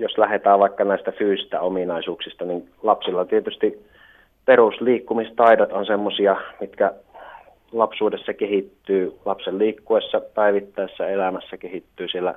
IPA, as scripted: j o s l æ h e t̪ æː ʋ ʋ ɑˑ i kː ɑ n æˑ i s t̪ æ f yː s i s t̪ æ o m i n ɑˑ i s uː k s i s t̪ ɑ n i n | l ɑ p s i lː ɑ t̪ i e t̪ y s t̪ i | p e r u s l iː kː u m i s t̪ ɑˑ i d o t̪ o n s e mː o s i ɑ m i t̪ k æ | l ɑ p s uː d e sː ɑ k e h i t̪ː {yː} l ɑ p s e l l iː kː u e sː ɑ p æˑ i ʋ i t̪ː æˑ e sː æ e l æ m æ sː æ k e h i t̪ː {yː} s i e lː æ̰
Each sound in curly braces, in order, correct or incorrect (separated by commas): correct, correct